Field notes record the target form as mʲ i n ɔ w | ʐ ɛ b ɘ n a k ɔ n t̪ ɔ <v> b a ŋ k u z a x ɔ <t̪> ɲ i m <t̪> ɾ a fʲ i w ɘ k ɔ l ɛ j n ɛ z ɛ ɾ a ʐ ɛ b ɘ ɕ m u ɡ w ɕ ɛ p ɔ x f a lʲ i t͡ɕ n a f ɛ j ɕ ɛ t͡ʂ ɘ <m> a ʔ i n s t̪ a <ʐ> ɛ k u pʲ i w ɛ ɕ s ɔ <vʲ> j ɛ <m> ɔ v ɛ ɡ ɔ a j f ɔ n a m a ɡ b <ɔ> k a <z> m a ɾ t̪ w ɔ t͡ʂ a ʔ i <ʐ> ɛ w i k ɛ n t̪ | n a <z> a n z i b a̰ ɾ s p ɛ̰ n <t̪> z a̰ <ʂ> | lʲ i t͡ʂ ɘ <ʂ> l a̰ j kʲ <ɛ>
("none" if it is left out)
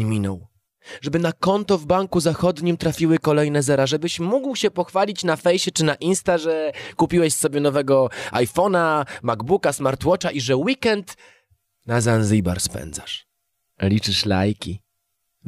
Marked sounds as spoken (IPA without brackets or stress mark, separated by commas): v, d̪, t̪, n, ʐ, bʲ, n, u, s, ʐ, z, d̪, ʂ, ʂ, i